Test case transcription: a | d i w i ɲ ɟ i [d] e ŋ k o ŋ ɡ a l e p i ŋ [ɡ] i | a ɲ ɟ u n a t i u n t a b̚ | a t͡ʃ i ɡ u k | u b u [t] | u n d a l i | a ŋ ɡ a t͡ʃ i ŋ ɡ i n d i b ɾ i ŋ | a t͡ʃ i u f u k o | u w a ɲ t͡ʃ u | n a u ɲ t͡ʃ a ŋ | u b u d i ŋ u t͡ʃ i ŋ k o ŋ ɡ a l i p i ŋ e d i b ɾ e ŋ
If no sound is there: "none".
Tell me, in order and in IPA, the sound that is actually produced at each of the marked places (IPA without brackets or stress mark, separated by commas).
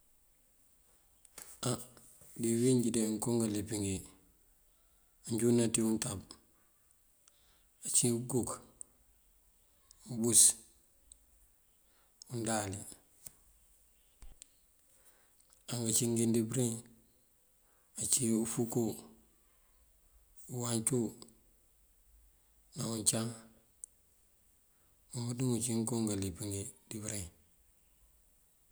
d, ɡ, s